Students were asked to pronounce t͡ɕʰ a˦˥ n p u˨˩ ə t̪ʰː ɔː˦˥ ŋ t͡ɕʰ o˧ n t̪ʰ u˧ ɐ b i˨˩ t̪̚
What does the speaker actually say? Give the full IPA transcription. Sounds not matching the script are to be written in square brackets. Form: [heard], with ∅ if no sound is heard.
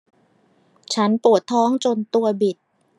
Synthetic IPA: t͡ɕʰ a˦˥ n p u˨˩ ə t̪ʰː ɔː˦˥ ŋ [t͡ɕ] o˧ n [t̪] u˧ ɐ b i˨˩ t̪̚

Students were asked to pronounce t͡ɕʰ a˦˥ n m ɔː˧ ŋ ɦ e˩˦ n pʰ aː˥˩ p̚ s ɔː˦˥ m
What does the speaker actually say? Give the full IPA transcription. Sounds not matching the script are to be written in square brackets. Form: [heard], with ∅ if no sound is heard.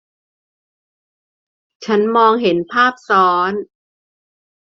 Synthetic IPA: t͡ɕʰ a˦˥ n m ɔː˧ ŋ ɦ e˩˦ n pʰ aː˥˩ p̚ s ɔː˦˥ [n]

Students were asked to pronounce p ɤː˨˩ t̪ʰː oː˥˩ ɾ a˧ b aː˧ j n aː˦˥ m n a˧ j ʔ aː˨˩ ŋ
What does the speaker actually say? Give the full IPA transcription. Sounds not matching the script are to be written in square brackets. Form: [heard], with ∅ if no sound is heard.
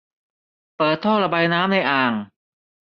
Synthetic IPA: p ɤː˨˩ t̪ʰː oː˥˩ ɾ a˧ b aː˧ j n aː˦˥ m n a˧ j ʔ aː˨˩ ŋ

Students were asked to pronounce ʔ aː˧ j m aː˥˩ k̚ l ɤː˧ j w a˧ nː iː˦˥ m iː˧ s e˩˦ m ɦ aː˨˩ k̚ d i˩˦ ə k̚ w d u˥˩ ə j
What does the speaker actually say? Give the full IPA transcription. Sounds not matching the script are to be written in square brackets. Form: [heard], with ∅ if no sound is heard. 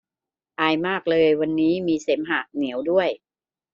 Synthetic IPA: ʔ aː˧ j m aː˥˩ k̚ l ɤː˧ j w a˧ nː iː˦˥ m iː˧ s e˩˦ m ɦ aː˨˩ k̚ [n] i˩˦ ə [∅] w d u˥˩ ə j

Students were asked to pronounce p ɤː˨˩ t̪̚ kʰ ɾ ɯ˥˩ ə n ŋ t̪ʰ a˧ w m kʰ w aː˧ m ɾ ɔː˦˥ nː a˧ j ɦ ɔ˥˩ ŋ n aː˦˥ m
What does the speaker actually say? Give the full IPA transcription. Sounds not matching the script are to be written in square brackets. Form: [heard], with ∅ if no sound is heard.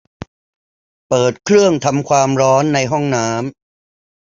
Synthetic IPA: p ɤː˨˩ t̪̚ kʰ ɾ ɯ˥˩ ə [∅] ŋ t̪ʰ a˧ [∅] m kʰ w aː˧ m ɾ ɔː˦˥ nː a˧ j ɦ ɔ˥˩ ŋ n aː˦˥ m

